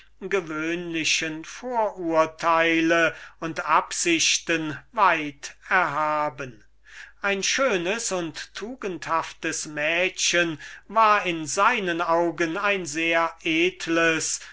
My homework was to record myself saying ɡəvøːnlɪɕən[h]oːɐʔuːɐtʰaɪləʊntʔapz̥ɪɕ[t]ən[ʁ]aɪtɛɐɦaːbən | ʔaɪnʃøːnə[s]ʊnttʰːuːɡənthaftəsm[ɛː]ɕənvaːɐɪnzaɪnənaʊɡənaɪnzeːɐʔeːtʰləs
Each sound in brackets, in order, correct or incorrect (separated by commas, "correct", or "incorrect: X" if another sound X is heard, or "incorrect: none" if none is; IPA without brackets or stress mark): incorrect: f, correct, incorrect: v, correct, correct